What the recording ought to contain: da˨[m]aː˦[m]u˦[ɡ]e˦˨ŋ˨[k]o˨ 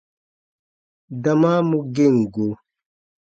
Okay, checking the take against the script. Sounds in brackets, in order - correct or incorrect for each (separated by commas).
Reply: correct, correct, correct, incorrect